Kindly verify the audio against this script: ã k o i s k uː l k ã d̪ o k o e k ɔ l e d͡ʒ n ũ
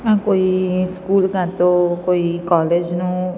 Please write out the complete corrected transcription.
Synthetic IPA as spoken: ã k o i s k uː l k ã t̪ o k o i k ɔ l e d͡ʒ n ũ